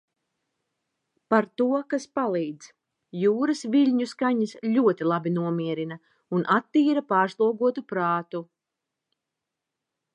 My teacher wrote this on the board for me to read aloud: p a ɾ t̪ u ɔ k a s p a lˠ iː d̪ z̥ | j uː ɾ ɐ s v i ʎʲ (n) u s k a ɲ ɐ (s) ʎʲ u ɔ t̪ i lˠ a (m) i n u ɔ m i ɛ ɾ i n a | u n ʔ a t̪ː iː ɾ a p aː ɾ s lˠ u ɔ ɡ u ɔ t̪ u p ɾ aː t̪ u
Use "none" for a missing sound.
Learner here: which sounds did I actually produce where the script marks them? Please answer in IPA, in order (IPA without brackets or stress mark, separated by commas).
ɲ, s, b